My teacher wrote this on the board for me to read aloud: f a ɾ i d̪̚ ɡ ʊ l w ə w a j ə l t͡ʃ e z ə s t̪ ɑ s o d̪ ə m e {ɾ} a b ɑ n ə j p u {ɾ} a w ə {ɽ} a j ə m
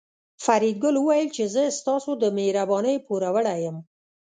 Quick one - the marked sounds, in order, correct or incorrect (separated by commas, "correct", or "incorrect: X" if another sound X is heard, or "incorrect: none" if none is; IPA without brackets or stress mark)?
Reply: correct, correct, correct